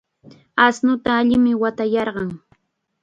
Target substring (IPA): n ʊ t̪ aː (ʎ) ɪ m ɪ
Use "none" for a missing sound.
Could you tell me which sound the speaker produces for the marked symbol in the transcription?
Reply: ʎ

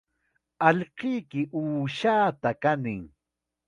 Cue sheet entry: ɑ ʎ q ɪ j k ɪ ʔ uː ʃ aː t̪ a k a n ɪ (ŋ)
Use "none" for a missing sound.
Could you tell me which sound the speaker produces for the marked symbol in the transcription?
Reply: ŋ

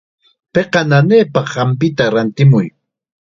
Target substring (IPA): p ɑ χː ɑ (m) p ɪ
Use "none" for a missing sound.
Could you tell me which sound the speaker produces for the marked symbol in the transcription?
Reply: m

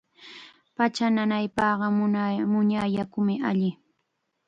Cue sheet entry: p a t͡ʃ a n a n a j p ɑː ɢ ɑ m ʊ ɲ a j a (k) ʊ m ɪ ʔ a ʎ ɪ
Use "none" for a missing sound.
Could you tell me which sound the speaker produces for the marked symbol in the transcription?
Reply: k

